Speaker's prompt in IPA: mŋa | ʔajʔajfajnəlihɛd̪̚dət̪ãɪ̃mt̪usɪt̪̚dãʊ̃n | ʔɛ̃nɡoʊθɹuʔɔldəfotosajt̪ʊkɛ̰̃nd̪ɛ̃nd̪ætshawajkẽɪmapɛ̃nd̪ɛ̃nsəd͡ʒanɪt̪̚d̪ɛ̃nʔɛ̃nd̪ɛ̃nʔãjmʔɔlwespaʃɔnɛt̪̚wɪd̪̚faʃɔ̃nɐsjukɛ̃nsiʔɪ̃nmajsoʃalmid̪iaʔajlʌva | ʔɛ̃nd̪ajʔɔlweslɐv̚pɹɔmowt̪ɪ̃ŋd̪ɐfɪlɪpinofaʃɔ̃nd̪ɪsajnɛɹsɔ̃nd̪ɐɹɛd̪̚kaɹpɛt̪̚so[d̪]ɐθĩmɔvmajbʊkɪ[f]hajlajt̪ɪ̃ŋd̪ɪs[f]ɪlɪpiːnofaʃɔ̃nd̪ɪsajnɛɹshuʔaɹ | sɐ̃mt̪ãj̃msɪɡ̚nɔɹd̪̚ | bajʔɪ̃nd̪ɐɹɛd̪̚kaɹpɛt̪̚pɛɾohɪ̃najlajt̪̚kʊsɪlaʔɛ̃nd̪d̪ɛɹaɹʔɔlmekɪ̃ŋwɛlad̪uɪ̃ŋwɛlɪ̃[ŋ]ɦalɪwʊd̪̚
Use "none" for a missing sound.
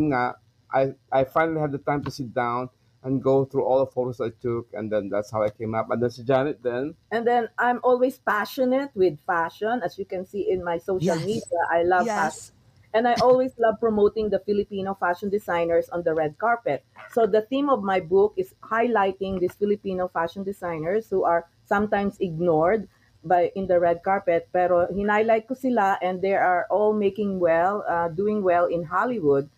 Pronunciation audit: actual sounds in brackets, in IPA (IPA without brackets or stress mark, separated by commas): d̪, s, f, n